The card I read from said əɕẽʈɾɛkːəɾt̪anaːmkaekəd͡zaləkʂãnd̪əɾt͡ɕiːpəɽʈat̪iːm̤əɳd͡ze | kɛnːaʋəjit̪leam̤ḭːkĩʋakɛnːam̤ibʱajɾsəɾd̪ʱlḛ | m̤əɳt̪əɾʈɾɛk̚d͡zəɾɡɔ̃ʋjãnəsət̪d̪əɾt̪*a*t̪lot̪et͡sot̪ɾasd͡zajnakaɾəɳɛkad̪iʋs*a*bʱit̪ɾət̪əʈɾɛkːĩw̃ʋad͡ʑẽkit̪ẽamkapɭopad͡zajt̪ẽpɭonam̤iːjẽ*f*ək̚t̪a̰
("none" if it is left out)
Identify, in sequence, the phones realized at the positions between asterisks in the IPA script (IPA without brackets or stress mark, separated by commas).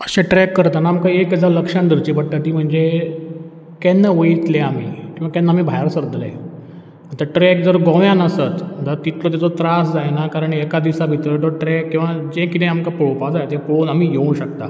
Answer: i, a, ɕ